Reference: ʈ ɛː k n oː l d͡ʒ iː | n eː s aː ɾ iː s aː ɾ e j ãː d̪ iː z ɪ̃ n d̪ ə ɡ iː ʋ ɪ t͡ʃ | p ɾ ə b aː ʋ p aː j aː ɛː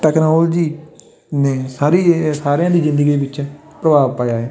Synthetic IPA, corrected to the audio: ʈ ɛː k n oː l d͡ʒ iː | n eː s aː ɾ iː s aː ɾ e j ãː d̪ iː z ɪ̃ n d̪ ə ɡ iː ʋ ɪ t͡ʃ | p ɾ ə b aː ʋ p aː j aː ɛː